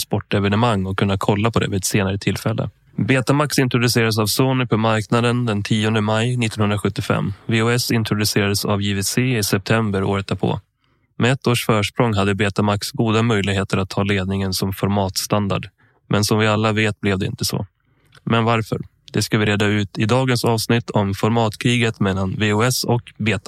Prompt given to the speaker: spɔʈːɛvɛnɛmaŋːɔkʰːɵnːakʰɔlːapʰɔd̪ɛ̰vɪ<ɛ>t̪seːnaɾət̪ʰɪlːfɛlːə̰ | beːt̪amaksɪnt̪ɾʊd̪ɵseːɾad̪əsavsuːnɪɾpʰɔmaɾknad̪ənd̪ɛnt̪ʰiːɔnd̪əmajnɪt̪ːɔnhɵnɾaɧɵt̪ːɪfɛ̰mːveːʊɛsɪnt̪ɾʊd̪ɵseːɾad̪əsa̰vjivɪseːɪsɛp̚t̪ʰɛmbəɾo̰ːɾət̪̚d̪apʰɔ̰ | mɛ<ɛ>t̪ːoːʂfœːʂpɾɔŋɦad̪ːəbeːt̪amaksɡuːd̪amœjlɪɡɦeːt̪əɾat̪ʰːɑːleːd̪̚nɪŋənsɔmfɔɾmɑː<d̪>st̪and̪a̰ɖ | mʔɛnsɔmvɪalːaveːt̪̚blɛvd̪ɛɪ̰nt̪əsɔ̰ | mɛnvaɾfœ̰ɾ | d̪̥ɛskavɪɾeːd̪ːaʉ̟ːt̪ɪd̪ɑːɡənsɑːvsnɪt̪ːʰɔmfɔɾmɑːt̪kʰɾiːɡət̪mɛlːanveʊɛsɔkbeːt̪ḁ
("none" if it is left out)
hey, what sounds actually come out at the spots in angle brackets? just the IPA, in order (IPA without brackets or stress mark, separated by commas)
ɛ, ɛ, t̪